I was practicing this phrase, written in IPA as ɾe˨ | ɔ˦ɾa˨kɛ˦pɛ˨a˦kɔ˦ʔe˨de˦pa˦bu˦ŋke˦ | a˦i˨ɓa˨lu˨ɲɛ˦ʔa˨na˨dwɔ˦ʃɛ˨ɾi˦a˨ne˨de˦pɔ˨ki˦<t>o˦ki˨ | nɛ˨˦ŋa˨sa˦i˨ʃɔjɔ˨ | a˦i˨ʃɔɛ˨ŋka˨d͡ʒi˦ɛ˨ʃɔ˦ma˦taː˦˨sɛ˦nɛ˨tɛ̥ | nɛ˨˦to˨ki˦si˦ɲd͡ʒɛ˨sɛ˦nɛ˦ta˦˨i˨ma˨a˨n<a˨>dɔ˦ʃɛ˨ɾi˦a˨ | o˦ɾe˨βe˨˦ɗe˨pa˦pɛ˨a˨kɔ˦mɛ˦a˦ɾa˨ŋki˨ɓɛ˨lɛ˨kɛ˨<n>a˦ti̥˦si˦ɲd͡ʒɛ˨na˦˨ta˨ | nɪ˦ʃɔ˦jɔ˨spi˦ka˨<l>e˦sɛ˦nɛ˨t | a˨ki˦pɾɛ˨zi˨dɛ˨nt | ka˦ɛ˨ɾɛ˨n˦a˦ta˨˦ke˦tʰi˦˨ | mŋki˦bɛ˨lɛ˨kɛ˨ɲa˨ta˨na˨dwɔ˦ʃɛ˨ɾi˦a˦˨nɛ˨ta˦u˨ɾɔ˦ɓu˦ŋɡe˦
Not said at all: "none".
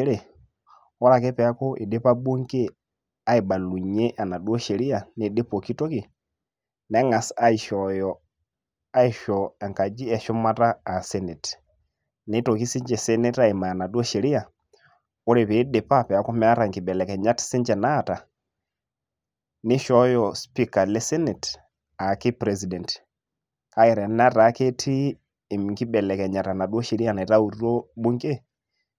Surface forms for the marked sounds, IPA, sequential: t, a˨, ɲ, l

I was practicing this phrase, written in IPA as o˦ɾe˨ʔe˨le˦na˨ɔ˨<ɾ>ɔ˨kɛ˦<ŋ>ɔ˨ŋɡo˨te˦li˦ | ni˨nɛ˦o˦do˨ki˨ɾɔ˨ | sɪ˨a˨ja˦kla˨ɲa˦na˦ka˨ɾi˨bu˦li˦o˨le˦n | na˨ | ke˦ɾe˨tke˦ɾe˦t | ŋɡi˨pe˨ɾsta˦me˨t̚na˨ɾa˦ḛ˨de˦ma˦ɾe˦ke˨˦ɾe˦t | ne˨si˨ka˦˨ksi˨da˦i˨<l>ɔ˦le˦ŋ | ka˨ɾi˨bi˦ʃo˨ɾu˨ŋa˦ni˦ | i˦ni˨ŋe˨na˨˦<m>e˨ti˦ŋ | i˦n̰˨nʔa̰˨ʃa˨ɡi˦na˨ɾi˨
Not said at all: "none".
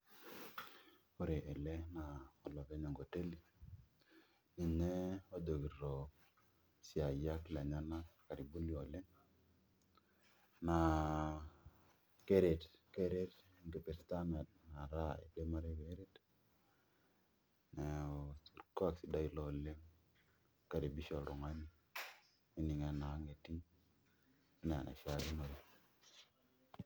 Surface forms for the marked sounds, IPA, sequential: l, ɲ, l, ŋ

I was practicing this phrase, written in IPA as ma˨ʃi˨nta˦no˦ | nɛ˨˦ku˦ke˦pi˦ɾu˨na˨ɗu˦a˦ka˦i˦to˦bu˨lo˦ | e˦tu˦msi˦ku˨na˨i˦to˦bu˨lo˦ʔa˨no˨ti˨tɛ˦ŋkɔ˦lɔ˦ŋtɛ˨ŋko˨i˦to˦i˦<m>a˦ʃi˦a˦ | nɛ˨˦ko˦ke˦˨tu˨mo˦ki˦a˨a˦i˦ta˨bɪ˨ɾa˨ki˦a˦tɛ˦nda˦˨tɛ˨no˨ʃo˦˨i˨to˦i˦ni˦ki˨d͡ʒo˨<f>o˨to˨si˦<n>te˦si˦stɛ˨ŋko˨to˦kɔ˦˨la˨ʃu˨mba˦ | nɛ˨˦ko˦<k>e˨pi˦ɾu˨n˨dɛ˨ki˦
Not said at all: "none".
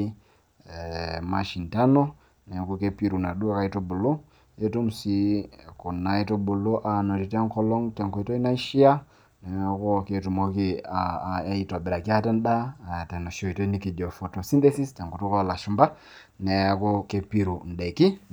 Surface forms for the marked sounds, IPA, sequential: n, f, n, k

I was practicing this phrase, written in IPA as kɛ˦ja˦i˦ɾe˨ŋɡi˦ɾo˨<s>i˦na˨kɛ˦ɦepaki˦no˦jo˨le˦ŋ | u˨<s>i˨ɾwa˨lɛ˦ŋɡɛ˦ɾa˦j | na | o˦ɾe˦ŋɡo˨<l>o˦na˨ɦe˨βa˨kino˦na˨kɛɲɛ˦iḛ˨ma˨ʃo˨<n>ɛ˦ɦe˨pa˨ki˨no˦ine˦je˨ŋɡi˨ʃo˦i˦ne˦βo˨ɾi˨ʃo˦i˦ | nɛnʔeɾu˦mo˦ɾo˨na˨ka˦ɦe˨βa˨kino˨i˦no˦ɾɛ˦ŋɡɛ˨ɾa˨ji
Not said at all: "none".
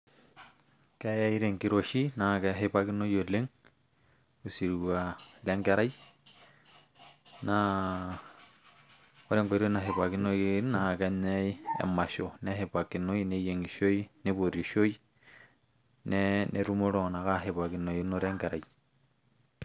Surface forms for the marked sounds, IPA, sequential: ʃ, s, ɾ, n

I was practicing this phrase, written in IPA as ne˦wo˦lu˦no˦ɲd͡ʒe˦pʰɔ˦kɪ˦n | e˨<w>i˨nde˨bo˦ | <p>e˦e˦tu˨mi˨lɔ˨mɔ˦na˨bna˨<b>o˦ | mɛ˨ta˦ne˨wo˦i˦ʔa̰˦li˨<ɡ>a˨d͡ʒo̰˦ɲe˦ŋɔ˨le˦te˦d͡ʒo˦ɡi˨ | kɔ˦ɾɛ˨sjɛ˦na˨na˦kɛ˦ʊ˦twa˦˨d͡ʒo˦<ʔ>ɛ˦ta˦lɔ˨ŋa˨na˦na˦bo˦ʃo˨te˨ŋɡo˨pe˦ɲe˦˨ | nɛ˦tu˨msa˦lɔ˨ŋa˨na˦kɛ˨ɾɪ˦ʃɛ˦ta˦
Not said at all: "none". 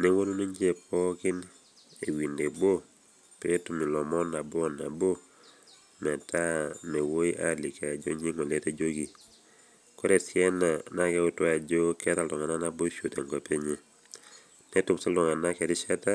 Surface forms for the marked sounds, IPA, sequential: w, p, b, k, k

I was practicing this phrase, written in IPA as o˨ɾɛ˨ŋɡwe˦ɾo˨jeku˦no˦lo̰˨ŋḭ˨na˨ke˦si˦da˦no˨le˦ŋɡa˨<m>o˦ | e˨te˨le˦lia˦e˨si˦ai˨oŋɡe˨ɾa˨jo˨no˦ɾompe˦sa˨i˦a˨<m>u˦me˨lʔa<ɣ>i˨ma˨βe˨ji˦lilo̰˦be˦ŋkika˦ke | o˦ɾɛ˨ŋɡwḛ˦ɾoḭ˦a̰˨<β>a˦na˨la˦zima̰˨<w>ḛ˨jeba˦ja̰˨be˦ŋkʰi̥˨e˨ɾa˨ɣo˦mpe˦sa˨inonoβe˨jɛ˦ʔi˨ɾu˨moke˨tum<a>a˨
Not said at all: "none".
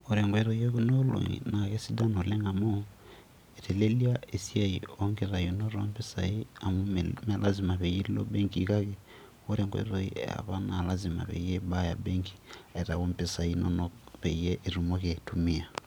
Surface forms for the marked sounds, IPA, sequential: m, m, z, β, β, i

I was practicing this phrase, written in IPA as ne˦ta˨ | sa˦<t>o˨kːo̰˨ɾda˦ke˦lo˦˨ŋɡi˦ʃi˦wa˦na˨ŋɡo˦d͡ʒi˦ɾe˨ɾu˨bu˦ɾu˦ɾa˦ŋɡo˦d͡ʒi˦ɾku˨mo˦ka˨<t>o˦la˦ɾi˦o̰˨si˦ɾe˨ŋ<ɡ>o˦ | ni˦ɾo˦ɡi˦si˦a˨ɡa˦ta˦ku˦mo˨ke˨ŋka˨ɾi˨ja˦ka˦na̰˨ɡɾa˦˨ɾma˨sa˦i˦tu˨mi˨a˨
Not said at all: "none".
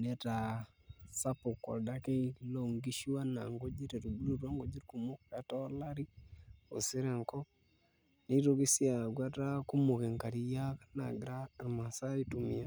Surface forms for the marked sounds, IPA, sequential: p, t, k

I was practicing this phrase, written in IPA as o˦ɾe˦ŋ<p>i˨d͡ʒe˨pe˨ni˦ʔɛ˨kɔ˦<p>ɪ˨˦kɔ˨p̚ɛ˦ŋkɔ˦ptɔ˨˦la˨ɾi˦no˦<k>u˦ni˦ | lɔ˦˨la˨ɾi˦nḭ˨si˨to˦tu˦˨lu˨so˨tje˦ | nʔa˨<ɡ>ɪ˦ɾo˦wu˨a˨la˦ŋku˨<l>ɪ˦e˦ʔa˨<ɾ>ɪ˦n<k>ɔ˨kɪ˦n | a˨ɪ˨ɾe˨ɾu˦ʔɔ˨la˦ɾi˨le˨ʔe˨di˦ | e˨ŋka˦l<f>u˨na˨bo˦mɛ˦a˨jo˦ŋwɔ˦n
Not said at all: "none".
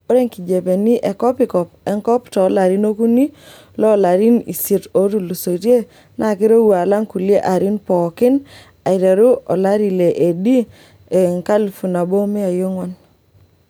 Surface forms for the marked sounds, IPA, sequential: k, p, k, k, l, ɾ, p, f

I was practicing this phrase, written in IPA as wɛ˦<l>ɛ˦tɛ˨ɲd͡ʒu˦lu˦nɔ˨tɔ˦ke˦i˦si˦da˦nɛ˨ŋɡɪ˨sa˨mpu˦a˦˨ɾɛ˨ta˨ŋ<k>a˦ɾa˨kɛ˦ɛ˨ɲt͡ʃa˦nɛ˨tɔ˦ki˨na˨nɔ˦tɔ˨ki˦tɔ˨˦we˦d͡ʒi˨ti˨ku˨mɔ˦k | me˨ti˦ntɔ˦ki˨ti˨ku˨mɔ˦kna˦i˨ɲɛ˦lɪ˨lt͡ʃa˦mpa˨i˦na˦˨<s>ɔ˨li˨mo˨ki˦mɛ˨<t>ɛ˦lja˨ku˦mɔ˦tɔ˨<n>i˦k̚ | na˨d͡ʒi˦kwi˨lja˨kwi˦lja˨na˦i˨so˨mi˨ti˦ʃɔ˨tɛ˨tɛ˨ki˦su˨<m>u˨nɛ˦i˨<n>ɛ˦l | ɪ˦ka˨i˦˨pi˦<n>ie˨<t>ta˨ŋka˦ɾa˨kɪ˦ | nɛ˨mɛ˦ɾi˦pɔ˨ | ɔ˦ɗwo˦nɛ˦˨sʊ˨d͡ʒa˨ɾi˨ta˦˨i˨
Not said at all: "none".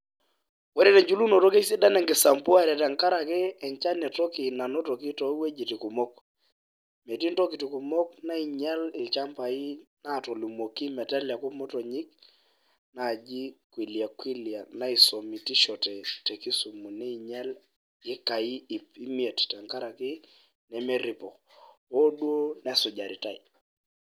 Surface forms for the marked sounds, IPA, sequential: ɾ, k, t, t, ɲ, m, ɲ, m, t

